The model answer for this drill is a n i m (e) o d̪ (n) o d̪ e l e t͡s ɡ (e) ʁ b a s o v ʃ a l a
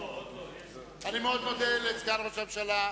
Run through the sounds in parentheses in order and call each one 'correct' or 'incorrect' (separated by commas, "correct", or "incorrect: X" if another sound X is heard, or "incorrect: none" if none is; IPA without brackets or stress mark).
correct, correct, incorrect: a